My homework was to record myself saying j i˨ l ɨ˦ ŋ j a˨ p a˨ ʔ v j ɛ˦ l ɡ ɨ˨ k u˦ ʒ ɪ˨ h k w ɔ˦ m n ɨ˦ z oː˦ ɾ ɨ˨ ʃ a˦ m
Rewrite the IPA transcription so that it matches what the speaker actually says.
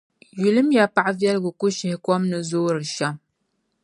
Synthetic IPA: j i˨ l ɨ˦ m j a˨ p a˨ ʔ v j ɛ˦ l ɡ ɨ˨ k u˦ ʃ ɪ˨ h k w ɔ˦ m n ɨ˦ z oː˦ ɾ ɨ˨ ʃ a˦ m